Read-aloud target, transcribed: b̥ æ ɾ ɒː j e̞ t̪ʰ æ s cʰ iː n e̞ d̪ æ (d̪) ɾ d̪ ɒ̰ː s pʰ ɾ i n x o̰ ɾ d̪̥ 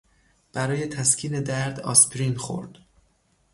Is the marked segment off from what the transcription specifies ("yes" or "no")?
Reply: yes